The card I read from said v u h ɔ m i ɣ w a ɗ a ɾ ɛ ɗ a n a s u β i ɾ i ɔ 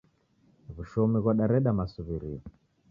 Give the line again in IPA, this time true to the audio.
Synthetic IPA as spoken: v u ʃ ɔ m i ɣ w a ɗ a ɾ ɛ ɗ a m a s u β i ɾ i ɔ